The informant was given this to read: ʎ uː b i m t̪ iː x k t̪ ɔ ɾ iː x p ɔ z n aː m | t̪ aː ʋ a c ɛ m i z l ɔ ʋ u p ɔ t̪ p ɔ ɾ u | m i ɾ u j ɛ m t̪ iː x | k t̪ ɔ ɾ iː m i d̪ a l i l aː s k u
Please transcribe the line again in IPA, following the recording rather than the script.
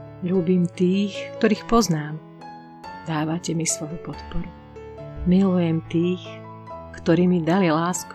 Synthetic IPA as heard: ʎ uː b i m t̪ iː x k t̪ ɔ ɾ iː x p ɔ z n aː m | d̪ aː ʋ a c ɛ m i s l ɔ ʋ u p ɔ t̪ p ɔ ɾ u | m i l u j ɛ m t̪ iː x | k t̪ ɔ ɾ iː m i d̪ a l i l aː s k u